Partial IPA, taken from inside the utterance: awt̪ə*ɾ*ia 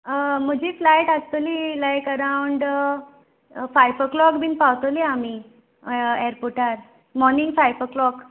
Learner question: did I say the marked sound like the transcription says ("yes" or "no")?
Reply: no